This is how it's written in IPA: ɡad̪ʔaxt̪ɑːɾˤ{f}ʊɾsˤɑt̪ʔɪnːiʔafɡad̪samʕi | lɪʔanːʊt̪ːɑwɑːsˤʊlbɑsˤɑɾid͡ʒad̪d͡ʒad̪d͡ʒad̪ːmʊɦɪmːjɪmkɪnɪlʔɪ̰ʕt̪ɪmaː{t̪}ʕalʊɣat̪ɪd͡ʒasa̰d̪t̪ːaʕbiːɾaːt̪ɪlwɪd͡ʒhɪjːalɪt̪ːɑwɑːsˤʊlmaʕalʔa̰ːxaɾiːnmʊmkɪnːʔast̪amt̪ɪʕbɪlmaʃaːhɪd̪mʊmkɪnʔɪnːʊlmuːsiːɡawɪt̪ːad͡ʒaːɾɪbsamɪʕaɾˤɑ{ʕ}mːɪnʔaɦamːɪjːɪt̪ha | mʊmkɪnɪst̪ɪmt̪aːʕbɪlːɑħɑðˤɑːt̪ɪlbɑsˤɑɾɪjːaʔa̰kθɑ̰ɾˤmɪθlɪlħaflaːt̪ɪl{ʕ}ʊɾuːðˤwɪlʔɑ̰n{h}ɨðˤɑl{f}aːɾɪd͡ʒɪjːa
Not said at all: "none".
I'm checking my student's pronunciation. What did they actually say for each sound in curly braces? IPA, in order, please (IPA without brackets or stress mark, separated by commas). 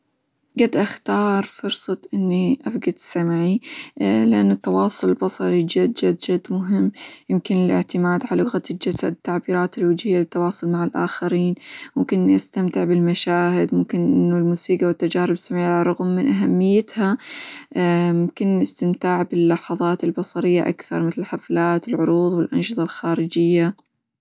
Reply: f, d̪, ɣ, ʕ, ʃ, x